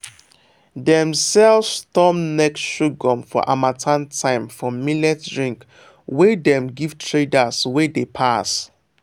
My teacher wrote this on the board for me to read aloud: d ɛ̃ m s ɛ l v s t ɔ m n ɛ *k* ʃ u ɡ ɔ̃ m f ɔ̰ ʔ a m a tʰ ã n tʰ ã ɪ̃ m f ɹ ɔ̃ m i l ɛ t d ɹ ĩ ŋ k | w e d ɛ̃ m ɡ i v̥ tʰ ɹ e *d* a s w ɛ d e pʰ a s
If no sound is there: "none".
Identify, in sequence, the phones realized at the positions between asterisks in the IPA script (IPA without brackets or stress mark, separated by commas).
k, d